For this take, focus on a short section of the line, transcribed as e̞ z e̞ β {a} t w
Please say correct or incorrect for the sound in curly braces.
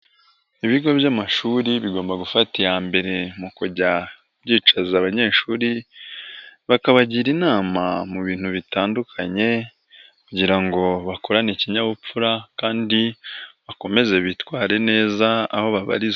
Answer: incorrect